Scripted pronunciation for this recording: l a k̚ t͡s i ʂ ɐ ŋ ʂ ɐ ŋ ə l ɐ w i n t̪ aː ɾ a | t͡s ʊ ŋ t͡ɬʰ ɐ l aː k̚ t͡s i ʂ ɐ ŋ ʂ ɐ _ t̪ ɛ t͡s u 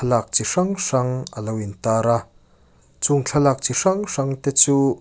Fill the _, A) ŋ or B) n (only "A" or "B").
A